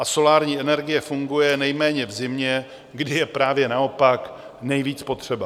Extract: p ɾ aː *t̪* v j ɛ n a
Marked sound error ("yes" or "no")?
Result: yes